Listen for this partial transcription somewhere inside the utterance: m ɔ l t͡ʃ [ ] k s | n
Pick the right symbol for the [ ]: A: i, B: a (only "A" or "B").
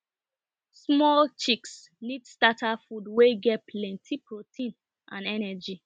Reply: A